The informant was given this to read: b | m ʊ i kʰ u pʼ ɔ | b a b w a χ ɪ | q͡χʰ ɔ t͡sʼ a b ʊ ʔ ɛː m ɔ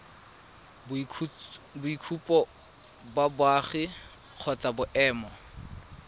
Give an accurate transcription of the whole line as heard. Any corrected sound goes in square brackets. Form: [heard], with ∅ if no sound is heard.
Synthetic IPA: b | [b] ʊ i kʰ u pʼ ɔ | b a b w a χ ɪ | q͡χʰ ɔ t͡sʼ a b ʊ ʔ ɛː m ɔ